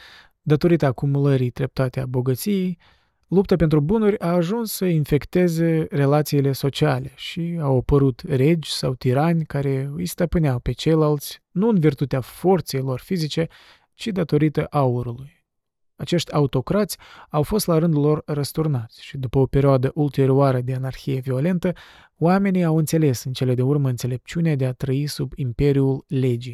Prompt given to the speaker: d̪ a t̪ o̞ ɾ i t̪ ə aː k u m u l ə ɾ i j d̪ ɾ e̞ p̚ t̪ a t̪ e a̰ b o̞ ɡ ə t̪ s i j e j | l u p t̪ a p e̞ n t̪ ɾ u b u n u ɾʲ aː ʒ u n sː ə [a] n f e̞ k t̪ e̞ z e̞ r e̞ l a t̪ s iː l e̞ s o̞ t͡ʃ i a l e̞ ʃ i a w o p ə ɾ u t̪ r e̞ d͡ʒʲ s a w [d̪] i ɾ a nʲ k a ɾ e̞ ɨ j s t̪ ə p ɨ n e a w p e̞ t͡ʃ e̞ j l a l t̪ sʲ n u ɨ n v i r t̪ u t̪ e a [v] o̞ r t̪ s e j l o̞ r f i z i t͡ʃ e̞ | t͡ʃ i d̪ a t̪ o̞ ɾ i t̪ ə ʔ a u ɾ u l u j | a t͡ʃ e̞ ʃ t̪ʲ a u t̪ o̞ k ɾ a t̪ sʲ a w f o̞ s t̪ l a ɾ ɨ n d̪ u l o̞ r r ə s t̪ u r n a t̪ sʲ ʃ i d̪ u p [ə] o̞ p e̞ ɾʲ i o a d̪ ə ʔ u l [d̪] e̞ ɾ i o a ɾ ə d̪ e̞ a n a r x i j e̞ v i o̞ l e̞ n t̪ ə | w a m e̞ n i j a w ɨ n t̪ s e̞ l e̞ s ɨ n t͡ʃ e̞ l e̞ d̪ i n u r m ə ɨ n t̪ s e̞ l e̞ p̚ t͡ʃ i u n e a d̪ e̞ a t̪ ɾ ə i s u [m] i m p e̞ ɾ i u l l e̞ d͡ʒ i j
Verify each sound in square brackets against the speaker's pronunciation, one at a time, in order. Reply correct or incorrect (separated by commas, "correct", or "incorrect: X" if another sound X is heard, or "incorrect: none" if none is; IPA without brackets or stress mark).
incorrect: i, incorrect: t̪, incorrect: f, correct, incorrect: t̪, incorrect: b